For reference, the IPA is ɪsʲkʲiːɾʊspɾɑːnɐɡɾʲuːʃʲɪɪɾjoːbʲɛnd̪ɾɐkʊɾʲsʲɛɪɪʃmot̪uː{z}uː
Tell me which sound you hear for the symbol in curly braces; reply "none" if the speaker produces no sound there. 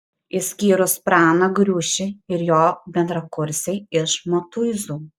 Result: z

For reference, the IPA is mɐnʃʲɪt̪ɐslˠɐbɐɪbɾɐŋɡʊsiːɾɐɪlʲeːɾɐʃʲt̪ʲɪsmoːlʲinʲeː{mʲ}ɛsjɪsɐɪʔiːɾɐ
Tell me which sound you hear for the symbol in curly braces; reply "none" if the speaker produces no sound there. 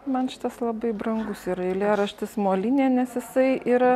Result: nʲ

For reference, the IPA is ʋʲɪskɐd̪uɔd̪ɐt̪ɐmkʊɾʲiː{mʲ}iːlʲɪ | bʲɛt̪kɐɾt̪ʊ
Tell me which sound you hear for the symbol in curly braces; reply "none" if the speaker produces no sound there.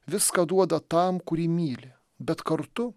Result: mʲ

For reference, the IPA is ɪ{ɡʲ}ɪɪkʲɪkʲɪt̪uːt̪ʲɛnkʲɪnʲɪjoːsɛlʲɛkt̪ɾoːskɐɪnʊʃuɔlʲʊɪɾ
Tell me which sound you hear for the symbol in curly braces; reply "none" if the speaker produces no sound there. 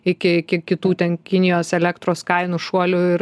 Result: kʲ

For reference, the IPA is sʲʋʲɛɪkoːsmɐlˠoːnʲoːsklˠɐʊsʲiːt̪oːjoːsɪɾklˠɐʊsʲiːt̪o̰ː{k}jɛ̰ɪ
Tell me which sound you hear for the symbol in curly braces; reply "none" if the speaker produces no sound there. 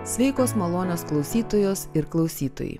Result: none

